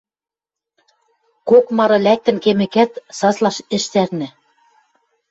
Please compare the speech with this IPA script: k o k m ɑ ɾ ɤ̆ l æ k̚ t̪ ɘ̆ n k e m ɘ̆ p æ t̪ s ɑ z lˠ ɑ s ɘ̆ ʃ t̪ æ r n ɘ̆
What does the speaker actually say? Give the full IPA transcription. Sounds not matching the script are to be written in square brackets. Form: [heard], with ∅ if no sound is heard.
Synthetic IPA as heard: k o k m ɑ ɾ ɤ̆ l æ k̚ t̪ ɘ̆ n k e m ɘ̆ [k] æ t̪ s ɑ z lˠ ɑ [ʃ] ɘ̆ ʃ t̪ æ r n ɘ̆